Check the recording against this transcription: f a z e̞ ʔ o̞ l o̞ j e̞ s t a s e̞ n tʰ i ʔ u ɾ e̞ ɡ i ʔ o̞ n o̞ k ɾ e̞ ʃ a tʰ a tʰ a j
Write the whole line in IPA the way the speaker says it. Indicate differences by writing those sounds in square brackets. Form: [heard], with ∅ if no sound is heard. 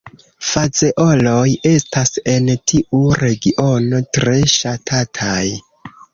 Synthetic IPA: f a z e̞ ʔ o̞ l o̞ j e̞ s t a s e̞ n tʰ i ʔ u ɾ e̞ ɡ i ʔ o̞ n o̞ [t] ɾ e̞ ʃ a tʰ a tʰ a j